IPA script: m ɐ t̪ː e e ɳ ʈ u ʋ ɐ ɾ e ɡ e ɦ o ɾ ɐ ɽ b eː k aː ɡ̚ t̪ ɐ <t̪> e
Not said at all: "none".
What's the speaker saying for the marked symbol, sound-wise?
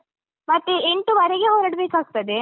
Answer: d̪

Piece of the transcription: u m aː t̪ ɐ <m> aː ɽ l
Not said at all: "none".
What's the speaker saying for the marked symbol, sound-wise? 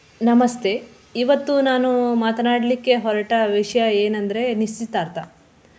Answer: n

